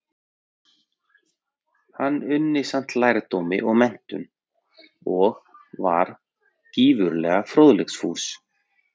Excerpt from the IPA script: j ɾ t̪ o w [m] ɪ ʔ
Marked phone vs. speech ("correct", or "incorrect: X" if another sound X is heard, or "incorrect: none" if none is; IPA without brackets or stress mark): correct